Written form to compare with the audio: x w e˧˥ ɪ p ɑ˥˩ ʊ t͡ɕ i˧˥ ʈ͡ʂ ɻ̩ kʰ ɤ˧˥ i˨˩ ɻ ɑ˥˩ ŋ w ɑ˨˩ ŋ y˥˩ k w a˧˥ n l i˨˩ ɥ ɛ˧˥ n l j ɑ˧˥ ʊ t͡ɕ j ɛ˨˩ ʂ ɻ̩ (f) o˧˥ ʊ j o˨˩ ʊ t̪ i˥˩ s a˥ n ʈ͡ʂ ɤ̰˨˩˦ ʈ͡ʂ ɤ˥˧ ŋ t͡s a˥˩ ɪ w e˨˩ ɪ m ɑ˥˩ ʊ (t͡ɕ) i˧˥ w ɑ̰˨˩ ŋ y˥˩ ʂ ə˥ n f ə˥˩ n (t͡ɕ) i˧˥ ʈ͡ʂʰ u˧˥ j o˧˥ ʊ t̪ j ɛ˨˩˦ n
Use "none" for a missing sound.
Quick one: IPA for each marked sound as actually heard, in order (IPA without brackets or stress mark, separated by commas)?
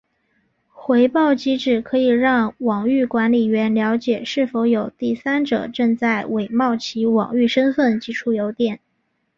f, t͡ɕʰ, t͡ɕ